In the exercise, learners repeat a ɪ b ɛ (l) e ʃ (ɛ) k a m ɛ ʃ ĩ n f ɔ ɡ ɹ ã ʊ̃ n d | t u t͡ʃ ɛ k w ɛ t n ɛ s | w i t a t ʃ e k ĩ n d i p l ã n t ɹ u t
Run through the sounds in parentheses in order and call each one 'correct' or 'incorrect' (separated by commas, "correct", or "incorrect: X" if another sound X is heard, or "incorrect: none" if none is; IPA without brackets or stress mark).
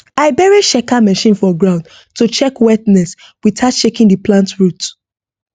incorrect: ɹ, correct